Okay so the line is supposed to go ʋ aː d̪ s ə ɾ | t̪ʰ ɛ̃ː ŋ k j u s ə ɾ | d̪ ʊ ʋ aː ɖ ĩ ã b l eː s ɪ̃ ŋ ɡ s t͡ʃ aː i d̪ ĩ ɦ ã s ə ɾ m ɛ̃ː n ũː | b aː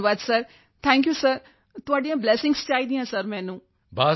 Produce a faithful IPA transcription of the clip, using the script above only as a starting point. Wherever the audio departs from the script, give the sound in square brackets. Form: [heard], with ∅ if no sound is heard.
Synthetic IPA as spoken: ʋ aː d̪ s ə ɾ | t̪ʰ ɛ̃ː ŋ k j u s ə ɾ | [t̪] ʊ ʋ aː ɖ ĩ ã b l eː s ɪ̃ ŋ ɡ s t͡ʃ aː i d̪ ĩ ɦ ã s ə ɾ m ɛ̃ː n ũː | b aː